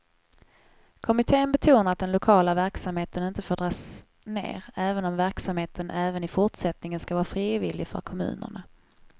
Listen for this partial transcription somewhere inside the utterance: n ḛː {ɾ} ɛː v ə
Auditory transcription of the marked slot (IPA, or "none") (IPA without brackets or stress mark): ɾ